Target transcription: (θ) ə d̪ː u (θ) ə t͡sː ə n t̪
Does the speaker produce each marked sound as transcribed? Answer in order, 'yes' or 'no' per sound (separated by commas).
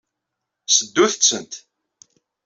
no, yes